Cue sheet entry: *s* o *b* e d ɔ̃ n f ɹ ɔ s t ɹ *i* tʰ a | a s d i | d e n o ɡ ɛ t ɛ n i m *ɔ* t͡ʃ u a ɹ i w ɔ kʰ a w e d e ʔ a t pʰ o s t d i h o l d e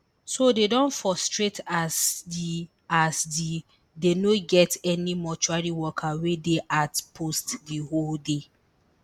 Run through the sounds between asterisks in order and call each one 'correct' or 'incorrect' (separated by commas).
correct, incorrect, incorrect, correct